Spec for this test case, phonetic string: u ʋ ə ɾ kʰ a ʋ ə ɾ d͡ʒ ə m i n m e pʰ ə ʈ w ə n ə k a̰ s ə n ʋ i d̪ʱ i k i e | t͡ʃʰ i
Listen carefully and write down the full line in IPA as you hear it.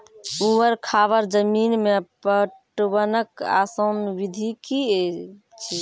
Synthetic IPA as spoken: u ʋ ə ɾ kʰ a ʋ ə ɾ d͡ʒ ə m i n m e p ə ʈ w ə n ə k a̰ s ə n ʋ i d̪ʱ i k i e | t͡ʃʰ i